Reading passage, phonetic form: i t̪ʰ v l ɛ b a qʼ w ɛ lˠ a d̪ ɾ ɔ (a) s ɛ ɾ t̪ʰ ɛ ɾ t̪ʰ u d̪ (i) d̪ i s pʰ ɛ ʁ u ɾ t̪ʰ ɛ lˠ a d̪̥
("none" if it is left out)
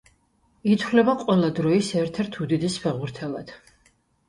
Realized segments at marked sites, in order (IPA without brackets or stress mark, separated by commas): i, i